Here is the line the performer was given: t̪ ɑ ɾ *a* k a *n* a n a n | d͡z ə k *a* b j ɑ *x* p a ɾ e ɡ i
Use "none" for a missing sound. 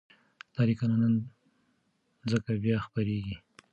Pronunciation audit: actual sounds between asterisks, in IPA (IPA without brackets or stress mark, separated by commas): i, n, a, x